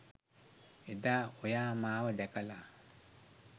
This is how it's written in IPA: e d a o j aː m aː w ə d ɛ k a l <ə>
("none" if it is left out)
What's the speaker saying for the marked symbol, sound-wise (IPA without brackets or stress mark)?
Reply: a